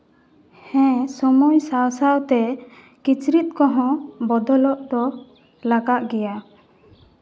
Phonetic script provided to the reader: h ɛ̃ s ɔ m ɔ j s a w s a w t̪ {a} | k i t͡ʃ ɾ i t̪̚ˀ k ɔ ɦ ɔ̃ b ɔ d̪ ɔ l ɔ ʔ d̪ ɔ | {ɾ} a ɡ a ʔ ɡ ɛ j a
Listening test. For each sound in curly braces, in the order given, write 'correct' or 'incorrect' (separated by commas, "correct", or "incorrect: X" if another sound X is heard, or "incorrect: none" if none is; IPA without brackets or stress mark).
incorrect: ɛ, incorrect: l